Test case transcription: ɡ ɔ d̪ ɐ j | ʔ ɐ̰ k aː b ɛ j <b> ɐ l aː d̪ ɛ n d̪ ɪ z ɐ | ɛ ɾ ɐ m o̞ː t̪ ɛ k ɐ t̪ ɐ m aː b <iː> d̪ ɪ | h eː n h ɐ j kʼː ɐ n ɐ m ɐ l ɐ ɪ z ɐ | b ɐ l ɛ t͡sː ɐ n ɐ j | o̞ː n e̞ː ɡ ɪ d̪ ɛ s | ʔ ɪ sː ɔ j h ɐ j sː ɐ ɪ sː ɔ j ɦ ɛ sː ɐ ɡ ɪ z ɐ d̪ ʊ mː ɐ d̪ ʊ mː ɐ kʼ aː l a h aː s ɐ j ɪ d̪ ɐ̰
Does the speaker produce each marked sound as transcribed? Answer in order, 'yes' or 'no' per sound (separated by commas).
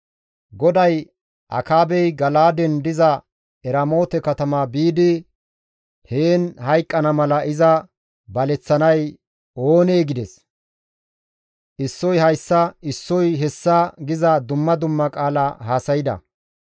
no, yes